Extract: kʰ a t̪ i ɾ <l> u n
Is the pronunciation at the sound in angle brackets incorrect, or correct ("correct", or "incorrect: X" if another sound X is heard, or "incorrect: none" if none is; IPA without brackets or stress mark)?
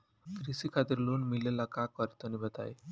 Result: correct